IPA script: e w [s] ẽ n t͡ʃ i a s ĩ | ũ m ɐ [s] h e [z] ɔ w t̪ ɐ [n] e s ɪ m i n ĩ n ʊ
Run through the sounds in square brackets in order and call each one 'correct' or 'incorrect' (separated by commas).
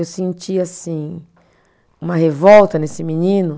correct, incorrect, incorrect, correct